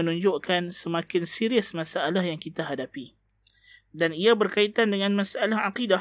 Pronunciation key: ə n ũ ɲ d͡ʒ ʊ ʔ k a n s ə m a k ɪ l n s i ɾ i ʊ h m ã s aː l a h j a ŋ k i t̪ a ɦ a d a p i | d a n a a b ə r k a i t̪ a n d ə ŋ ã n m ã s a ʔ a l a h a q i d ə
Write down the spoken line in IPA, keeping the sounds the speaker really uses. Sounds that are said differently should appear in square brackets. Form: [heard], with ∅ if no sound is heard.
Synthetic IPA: ə n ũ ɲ d͡ʒ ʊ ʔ k a n s ə m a k ɪ [∅] n s i ɾ i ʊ [s] m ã s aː l a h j a ŋ k i t̪ a ɦ a d a p i | d a n [i] a b ə r k a i t̪ a n d ə ŋ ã n m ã s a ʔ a l a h a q i d [a]